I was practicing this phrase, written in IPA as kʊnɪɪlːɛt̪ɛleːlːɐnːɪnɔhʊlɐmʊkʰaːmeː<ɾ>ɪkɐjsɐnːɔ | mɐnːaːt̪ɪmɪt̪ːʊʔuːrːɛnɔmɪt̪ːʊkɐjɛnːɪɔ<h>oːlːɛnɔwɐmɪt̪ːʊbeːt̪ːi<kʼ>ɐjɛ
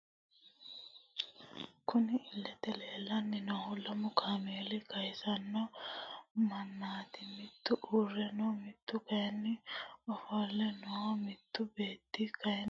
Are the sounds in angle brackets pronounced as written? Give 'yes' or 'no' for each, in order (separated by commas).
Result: no, no, no